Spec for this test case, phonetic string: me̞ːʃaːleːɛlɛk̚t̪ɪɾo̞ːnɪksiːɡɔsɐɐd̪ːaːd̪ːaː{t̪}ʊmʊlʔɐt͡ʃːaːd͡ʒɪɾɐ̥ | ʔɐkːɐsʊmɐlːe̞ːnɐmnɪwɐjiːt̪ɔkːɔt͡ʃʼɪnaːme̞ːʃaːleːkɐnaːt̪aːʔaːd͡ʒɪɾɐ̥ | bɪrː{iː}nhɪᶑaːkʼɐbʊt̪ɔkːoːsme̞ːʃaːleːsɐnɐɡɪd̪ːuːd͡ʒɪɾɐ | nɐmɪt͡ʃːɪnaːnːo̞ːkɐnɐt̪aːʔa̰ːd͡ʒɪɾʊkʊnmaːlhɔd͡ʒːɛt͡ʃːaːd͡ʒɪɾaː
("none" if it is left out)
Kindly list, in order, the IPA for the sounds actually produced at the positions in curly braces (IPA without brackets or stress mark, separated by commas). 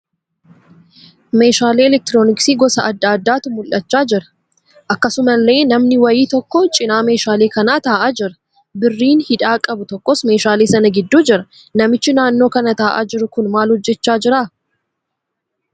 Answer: t̪, iː